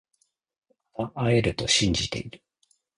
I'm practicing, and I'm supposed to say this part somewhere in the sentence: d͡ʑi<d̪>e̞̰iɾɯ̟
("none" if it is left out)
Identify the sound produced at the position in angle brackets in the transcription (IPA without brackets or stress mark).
t̪